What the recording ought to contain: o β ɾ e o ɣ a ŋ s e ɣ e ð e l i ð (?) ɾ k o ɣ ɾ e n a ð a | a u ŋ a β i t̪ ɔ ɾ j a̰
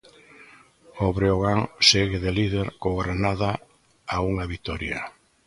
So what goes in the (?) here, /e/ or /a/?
e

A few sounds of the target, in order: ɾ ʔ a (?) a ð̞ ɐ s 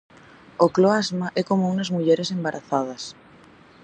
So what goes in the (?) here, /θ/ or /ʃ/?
θ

